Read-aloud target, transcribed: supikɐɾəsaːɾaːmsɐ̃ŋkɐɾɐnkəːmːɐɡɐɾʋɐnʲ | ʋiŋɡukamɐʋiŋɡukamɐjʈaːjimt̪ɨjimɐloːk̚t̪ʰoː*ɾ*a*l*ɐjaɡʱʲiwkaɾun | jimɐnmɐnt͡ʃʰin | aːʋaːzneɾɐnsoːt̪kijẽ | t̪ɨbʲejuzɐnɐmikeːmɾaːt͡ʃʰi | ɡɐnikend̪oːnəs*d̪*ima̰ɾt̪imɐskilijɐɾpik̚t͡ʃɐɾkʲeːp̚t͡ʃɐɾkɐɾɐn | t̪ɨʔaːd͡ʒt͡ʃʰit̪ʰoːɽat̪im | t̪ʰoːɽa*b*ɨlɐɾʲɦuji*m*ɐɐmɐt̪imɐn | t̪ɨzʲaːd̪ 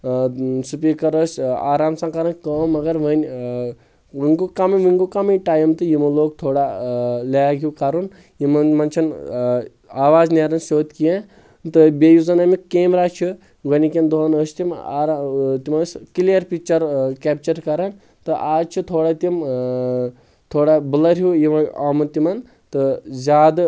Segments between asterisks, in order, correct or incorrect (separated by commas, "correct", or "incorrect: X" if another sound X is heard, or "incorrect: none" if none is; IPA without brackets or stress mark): incorrect: ɽ, correct, incorrect: t̪, correct, correct